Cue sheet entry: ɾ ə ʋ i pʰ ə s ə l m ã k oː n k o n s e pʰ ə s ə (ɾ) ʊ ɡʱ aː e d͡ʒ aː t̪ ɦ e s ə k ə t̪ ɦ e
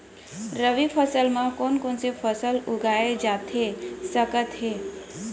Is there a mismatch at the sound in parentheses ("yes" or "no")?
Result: yes